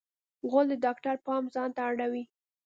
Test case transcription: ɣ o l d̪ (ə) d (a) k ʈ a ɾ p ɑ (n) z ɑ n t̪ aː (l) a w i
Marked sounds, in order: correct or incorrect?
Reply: correct, incorrect: ɑ, incorrect: m, incorrect: ɽ

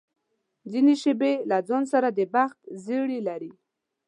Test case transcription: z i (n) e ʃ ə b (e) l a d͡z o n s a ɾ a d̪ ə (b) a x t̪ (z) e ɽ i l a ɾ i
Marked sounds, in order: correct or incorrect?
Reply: correct, correct, correct, correct

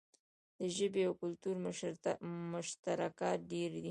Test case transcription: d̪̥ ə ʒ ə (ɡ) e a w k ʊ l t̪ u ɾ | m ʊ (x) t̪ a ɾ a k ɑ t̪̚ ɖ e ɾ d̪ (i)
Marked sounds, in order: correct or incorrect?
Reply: incorrect: b, incorrect: ʃ, correct

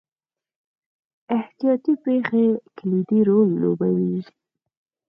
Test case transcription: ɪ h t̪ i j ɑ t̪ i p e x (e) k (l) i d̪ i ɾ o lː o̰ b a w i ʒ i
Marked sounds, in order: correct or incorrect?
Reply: correct, correct

